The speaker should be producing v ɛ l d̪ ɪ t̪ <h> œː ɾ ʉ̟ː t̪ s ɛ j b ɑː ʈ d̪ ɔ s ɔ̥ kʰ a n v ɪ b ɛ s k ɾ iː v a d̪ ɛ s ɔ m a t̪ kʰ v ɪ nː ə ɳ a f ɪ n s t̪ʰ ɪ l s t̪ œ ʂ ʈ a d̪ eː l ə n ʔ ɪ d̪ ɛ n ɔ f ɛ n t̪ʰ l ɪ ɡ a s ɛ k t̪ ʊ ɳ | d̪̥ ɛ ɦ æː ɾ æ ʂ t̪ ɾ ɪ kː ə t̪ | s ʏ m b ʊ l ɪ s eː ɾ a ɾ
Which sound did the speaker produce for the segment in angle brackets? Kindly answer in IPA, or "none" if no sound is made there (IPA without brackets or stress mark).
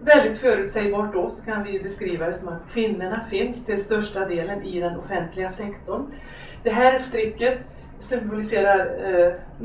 f